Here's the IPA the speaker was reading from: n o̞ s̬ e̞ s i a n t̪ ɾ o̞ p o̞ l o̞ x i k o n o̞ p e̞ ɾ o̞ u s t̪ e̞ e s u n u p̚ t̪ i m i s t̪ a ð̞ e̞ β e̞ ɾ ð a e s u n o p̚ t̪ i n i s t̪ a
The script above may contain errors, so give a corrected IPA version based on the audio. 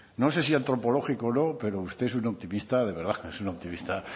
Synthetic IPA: n o̞ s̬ e̞ s i a n t̪ ɾ o̞ p o̞ l o̞ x i k o n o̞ p e̞ ɾ o̞ u s t̪ e̞ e s u n o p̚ t̪ i m i s t̪ a ð̞ e̞ β e̞ ɾ ð a e s u n o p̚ t̪ i m i s t̪ a